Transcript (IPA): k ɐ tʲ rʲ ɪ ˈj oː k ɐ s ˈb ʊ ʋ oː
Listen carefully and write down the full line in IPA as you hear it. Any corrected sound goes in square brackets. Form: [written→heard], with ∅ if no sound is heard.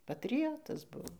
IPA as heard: [k→p] ɐ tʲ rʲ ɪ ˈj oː [k→t] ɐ s ˈb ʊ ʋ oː